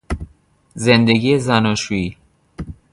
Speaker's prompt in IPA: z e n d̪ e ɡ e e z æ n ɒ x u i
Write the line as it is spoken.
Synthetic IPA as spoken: z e n d̪ e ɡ i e z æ n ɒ ʃ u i